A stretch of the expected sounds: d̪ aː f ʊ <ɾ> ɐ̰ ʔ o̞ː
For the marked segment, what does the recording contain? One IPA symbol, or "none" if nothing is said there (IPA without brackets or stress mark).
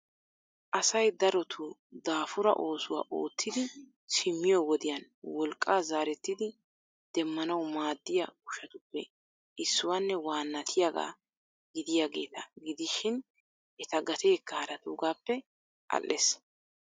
ɾ